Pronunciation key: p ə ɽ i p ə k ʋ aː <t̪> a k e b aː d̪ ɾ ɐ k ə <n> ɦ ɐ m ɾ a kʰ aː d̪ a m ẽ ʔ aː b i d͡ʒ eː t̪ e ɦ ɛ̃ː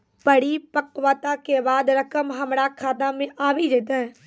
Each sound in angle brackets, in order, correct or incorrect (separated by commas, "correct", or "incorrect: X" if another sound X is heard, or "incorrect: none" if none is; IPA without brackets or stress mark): correct, incorrect: m